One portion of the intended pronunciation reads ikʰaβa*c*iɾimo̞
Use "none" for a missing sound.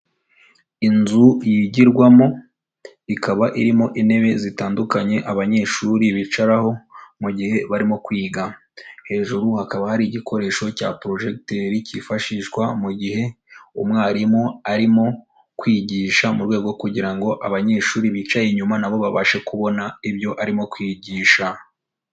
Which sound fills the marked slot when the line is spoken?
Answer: ʔ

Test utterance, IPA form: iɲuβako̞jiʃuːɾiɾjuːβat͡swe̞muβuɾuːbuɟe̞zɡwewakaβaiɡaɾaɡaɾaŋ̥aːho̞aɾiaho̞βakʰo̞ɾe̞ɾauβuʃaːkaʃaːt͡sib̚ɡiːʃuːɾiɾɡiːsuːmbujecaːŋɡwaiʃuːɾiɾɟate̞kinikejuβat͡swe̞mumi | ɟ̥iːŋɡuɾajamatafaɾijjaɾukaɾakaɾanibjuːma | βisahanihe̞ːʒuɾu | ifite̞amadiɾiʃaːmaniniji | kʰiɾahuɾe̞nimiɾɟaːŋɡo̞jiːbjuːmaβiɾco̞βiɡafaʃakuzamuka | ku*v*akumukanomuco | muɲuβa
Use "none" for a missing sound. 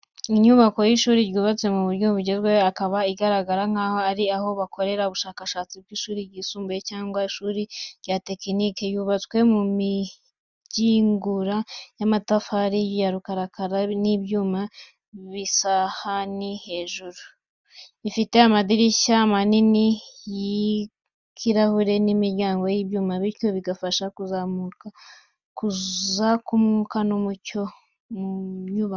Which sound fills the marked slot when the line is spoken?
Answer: z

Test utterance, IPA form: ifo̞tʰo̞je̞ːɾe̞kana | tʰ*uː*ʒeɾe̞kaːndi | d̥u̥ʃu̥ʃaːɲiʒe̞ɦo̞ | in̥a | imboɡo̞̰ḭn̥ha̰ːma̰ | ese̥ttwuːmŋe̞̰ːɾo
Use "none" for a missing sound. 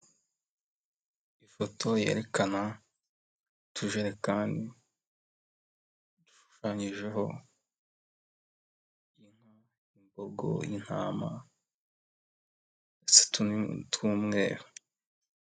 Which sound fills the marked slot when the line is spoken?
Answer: u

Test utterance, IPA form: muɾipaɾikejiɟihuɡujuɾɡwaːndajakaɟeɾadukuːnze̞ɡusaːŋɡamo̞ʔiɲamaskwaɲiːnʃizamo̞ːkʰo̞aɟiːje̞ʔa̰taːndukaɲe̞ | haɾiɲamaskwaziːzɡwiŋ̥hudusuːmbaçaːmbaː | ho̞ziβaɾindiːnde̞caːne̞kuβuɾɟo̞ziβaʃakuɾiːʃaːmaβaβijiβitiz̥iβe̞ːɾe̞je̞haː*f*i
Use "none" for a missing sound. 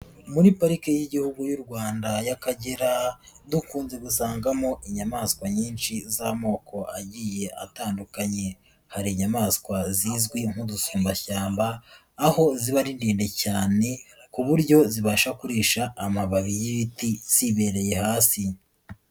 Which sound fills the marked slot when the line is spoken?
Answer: s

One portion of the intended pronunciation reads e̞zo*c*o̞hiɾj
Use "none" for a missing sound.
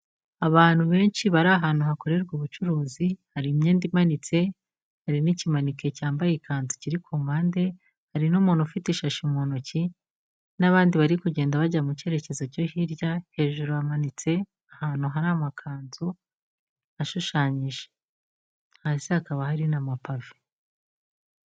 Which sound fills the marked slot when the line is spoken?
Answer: c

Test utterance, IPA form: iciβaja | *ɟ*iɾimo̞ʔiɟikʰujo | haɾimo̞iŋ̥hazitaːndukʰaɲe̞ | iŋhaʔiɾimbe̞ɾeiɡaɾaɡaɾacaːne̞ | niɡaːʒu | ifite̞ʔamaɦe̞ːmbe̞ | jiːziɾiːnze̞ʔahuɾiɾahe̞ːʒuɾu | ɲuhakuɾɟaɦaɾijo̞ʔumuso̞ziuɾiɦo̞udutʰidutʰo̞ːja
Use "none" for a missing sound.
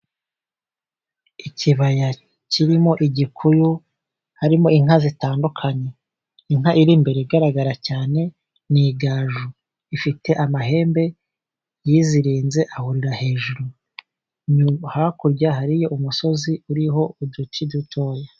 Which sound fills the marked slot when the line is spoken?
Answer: c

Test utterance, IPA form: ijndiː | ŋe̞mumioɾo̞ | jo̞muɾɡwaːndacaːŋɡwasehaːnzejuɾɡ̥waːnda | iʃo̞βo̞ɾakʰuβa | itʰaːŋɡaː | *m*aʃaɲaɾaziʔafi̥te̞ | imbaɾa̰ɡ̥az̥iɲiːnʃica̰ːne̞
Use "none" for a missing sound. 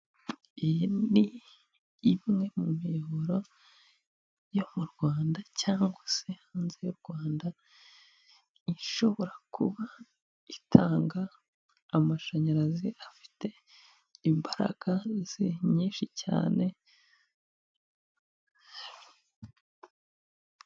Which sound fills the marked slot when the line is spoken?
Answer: m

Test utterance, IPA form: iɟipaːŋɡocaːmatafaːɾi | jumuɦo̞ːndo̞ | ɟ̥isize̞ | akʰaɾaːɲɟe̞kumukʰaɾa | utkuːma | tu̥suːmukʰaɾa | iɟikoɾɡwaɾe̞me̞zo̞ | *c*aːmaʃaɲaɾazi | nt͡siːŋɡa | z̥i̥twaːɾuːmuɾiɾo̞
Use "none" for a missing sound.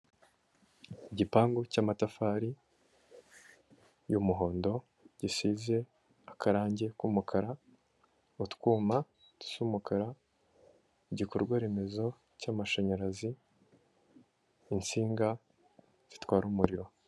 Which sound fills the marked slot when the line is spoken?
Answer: c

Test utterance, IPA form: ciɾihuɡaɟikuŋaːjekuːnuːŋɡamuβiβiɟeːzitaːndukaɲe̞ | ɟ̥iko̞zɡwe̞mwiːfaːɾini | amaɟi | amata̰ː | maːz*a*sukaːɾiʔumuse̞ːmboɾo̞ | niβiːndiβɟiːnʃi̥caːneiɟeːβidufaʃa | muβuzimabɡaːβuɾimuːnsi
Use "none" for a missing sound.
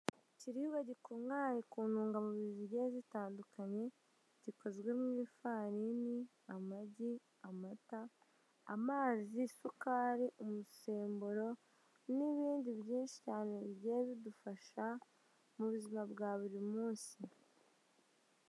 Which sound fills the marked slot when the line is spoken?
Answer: i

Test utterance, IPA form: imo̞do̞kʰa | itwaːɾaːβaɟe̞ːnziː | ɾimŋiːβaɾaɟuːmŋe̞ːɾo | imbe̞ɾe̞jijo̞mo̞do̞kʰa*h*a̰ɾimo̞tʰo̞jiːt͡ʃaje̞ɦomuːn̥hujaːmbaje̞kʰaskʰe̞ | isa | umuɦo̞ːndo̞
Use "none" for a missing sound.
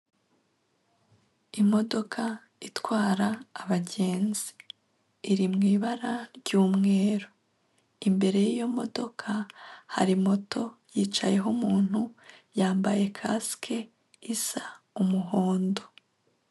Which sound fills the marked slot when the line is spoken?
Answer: h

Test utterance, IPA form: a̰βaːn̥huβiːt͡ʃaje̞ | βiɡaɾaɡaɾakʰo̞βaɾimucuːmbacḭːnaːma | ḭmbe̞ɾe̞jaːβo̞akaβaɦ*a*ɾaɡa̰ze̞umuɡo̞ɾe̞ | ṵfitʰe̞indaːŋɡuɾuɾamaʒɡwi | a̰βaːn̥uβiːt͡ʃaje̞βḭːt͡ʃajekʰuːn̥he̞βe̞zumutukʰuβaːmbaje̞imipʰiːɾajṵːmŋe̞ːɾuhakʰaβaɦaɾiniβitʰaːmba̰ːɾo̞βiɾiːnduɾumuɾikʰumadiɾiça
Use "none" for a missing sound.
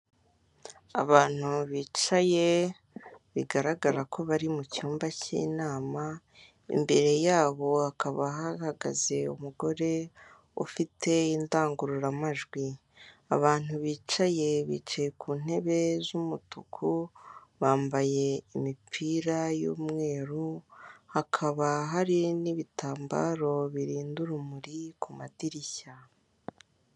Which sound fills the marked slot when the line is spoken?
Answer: a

